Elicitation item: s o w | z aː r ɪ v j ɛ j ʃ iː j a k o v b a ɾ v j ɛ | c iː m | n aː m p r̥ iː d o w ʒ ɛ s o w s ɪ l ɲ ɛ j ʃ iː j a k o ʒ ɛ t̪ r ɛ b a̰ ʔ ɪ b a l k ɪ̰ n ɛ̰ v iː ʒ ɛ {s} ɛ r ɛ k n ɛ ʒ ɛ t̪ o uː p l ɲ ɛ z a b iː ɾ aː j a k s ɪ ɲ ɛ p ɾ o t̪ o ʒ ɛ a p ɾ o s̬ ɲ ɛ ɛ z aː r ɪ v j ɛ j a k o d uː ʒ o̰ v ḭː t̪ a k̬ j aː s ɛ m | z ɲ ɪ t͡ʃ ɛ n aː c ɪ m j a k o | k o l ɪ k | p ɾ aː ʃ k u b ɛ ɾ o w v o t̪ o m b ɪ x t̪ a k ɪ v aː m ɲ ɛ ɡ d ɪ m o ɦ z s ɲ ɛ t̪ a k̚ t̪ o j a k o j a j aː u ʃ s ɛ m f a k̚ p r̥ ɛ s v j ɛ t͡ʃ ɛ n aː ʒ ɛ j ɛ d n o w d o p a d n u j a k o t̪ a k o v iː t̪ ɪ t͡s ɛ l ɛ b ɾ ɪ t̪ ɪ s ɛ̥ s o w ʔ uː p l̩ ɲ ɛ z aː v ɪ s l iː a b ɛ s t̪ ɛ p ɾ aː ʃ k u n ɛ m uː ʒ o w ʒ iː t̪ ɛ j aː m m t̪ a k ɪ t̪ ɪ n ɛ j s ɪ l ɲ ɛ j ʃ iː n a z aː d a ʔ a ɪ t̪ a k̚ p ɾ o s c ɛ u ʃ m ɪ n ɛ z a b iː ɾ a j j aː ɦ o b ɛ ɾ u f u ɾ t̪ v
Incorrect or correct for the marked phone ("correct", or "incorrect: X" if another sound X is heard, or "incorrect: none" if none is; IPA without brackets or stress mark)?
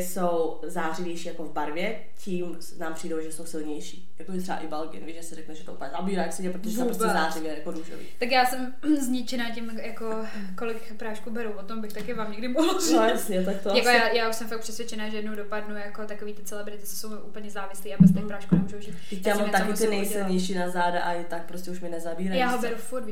correct